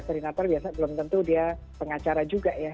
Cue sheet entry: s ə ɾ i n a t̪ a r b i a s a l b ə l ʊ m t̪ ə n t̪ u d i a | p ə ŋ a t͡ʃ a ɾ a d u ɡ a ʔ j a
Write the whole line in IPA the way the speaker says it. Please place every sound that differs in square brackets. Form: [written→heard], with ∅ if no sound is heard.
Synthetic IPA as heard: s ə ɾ i n a t̪ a r b i a s a [l→∅] b ə l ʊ m t̪ ə n t̪ u d i a | p ə ŋ a t͡ʃ a ɾ a [d→d͡ʒ] u ɡ a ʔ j a

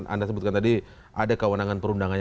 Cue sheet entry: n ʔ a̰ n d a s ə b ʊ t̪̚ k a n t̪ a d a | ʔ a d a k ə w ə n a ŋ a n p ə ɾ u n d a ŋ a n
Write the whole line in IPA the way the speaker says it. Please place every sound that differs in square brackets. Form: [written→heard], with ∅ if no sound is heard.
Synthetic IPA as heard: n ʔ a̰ n d a s ə b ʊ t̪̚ k a n t̪ a d [a→i] | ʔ a d a k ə w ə n a ŋ a n p ə ɾ u n d a ŋ a n

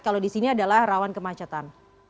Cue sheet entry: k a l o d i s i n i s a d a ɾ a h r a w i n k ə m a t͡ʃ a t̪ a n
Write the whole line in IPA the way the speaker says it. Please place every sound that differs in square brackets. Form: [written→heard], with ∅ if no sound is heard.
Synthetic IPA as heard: k a l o d i s i n i [s→∅] a d a [ɾ→l] a h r a w [i→a] n k ə m a t͡ʃ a t̪ a n

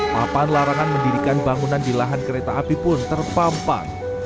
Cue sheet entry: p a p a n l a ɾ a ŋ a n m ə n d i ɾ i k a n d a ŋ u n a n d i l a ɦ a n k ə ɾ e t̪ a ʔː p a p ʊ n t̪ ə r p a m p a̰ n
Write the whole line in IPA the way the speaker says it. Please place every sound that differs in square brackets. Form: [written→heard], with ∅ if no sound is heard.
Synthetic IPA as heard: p a p a n l a ɾ a ŋ a n m ə n d i ɾ i k a n [d→b] a ŋ u n a n d i l a ɦ a n k ə ɾ e t̪ a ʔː p [a→i] p ʊ n t̪ ə r p a m p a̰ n

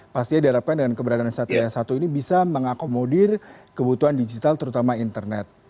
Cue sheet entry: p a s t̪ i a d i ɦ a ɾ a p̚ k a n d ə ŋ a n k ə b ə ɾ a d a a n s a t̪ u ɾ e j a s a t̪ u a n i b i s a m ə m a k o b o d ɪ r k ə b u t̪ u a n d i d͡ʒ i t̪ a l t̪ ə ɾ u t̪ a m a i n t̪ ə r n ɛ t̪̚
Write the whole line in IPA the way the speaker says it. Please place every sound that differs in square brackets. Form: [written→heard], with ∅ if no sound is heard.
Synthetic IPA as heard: p a s t̪ i a d i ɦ a ɾ a p̚ k a n d ə ŋ a n k ə b ə ɾ a d a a n s a t̪ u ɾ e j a s a t̪ u [a→i] n i b i s a m ə [m→ŋ] a k o [b→m] o d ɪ r k ə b u t̪ u a n d i d͡ʒ i t̪ a l t̪ ə ɾ u t̪ a m a i n t̪ ə r n ɛ t̪̚

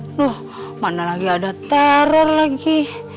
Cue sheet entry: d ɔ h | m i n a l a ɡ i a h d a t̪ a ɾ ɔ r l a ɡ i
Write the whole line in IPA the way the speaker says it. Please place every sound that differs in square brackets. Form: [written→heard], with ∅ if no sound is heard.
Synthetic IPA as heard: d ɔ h | m [i→a] n a l a ɡ i a [h→∅] d a t̪ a ɾ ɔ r l a ɡ i

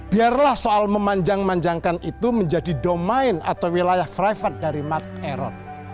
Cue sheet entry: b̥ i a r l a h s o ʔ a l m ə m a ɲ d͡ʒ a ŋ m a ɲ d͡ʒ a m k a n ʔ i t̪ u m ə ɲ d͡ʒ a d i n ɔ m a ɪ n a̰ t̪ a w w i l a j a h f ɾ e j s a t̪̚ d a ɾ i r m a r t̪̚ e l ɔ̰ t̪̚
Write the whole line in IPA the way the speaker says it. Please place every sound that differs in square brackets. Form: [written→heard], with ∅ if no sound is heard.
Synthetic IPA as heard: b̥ i a r l a h s o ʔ a l m ə m a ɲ d͡ʒ a ŋ m a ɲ d͡ʒ a [m→ŋ] k a n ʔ i t̪ u m ə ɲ d͡ʒ a d i [n→d] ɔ m a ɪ n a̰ t̪ a w w i l a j a h f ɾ [e→a] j [s→f] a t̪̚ d a ɾ i [r→∅] m a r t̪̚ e [l→ɾ] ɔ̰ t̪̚

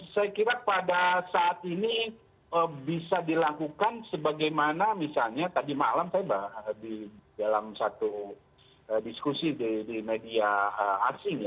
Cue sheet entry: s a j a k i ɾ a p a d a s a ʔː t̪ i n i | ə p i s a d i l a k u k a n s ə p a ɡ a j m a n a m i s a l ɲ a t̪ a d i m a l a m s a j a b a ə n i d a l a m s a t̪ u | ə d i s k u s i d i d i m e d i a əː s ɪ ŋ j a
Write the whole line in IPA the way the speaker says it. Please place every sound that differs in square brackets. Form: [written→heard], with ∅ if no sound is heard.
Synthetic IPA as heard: s a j a k i ɾ a p a d a s a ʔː t̪ i n i | ə [p→b] i s a d i l a k u k a n s ə [p→b] a ɡ a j m a n a m i s a l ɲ a t̪ a d i m a l a m s a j a b a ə [n→d] i d a l a m s a t̪ u | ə d i s k u s i d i d i m e d i a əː s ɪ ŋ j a

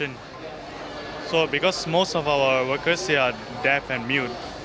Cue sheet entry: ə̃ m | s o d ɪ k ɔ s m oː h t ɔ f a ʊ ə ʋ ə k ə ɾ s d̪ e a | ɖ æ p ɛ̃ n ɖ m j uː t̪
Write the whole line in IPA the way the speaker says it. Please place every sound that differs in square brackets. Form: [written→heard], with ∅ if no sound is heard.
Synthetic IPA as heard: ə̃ [m→n] | s o [d→b] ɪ k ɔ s m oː [h→s] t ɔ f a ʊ ə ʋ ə k ə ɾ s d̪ e a | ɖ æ p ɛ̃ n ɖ m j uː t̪

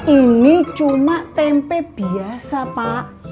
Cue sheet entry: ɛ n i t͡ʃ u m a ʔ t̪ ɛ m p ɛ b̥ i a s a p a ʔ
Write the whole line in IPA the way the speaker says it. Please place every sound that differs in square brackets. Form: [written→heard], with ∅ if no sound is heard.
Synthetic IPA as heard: [ɛ→i] n i t͡ʃ u m a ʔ t̪ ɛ m p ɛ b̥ i a s a p a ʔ

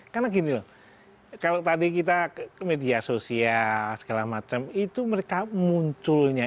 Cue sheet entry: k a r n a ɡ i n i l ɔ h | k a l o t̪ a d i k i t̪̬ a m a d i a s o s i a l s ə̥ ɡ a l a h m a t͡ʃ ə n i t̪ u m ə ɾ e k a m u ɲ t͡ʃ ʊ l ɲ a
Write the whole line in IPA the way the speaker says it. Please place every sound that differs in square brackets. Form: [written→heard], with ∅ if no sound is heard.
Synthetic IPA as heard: k a r n a ɡ i n i l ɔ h | k a l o t̪ a d i k i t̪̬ a m [a→e] d i a s o s i a l s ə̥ ɡ a l a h m a t͡ʃ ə [n→m] i t̪ u m ə ɾ e k a m u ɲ t͡ʃ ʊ l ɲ a

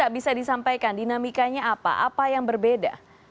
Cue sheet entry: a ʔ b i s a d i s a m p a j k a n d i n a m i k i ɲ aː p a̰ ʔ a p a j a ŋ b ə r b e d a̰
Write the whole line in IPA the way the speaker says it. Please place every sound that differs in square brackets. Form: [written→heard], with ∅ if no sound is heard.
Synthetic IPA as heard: a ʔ b i s a d i s a m p a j k a n d i n a m i k [i→a] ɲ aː p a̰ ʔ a p a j a ŋ b ə r b e d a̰

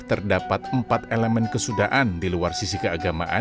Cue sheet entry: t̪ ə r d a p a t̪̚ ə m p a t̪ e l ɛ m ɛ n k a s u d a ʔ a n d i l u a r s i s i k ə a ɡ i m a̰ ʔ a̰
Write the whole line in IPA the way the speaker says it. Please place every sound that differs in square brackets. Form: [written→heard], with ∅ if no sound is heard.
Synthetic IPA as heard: t̪ ə r d a p a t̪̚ ə m p a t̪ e l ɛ m ɛ n k [a→ə] s u d a ʔ a n d i l u a r s i s i k ə a ɡ [i→a] m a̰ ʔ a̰

